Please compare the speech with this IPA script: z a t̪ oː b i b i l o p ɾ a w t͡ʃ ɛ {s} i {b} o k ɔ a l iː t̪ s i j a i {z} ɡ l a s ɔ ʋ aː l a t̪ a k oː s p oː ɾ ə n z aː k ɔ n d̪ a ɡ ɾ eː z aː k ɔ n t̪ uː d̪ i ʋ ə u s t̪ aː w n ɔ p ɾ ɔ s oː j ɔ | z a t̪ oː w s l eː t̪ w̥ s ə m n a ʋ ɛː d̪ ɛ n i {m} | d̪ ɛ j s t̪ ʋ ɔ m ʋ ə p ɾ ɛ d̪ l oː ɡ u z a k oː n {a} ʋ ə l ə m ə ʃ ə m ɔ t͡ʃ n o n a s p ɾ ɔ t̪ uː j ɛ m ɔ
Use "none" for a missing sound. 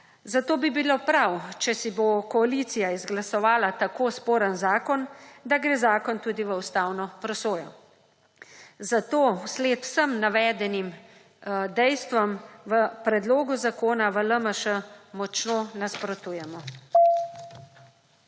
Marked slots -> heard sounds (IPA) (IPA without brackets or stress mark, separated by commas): s, b, z, m, a